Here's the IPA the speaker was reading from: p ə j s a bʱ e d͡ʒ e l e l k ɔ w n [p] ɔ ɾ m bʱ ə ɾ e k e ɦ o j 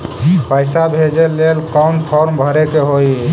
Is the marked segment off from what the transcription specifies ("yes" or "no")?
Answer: yes